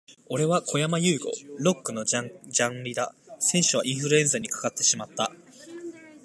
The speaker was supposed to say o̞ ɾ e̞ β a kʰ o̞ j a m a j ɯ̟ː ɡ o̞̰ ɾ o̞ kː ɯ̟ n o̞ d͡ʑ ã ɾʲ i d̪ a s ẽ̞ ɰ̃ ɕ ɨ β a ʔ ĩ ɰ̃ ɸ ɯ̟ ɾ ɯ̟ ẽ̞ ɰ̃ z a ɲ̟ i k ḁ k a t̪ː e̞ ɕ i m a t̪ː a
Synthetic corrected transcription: o̞ ɾ e̞ β a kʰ o̞ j a m a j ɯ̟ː ɡ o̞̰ ɾ o̞ kː ɯ̟ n o̞ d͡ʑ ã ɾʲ i d̪ a s ẽ̞ ɰ̃ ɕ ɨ β a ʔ ĩ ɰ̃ ɸ ɯ̟ ɾ ɯ̟ ẽ̞ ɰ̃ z a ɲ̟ i k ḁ k a t̪ː e̞ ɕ i m a t̪ː a